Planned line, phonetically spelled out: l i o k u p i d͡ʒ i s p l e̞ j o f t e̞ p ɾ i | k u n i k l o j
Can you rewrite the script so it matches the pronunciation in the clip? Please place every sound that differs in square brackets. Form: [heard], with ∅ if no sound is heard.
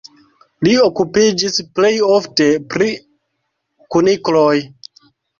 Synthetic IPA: l i o k u p i d͡ʒ i s p l e̞ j o f t e̞ p ɾ i | k u n i k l o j